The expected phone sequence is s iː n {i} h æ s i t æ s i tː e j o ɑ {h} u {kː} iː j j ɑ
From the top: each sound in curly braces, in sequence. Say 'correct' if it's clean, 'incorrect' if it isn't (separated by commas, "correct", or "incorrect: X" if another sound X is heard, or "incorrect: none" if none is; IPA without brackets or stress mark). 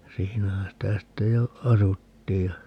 incorrect: æ, incorrect: s, incorrect: tː